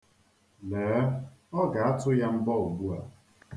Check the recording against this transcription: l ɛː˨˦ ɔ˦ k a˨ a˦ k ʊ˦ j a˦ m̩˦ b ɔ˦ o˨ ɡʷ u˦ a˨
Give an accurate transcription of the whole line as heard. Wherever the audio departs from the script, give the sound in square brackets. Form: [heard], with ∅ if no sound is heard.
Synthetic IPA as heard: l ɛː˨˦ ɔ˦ [ɡ] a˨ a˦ [t] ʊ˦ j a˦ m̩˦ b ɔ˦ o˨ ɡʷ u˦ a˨